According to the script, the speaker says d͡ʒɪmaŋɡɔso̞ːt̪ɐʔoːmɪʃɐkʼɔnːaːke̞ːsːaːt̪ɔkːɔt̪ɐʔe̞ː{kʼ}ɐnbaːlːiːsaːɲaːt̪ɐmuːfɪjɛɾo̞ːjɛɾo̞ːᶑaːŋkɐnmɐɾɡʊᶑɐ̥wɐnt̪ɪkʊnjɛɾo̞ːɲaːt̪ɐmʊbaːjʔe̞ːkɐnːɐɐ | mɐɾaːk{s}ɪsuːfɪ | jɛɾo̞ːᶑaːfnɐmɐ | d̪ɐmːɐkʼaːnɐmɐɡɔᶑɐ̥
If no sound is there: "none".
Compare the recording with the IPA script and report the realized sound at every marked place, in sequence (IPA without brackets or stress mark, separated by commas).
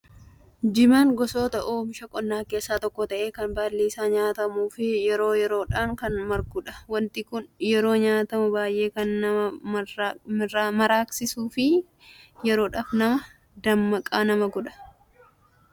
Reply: k, s